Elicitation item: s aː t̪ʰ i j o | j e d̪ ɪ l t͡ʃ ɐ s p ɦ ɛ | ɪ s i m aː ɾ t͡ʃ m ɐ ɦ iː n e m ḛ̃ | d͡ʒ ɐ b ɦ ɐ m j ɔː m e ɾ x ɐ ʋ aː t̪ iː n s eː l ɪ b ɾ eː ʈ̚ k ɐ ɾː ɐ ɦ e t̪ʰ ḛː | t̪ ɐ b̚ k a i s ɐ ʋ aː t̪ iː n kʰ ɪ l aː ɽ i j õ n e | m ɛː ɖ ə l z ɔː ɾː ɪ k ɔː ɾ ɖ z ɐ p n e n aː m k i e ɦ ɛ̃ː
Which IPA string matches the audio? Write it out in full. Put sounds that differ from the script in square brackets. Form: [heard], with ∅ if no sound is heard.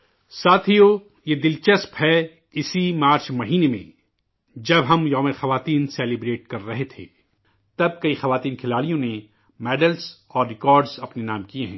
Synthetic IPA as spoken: s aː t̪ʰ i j o | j e d̪ ɪ l t͡ʃ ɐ s p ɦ ɛ | ɪ s i m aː ɾ t͡ʃ m ɐ ɦ iː n e m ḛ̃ | d͡ʒ ɐ b ɦ ɐ m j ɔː m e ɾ x ɐ ʋ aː t̪ iː n s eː l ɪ b ɾ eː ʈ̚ k ɐ ɾː ɐ ɦ e t̪ʰ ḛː | t̪ ɐ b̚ k [ɐ] i [x] ɐ ʋ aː t̪ iː n kʰ ɪ l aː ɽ i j õ n e | m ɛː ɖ ə l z ɔː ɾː ɪ k ɔː ɾ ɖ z ɐ p n e n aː m k i e ɦ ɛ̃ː